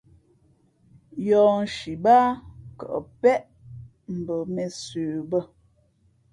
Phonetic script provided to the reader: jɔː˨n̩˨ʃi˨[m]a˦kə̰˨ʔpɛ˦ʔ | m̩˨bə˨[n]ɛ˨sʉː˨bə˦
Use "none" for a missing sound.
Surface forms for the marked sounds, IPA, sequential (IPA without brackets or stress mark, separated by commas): b, m